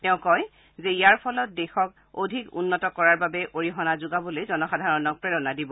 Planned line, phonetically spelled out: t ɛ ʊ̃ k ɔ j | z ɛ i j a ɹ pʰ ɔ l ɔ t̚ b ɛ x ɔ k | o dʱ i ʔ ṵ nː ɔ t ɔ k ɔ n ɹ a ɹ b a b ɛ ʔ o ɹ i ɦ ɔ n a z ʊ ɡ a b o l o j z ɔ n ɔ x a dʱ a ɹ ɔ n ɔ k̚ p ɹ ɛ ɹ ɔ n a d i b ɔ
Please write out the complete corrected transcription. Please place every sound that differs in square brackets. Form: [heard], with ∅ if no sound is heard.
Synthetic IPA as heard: t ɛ ʊ̃ k ɔ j | z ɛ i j a ɹ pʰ ɔ l ɔ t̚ [d] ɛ x ɔ k | o dʱ i [k] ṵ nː ɔ t ɔ k ɔ [∅] ɹ a ɹ b a b ɛ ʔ o ɹ i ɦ ɔ n a z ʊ ɡ a b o l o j z ɔ n ɔ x a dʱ a ɹ ɔ n ɔ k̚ p ɹ ɛ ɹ ɔ n a d i b ɔ